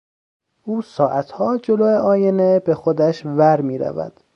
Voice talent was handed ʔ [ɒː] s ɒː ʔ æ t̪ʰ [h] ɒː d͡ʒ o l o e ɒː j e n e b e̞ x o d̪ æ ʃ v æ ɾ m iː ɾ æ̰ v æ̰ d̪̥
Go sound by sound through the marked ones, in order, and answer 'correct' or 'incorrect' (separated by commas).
incorrect, correct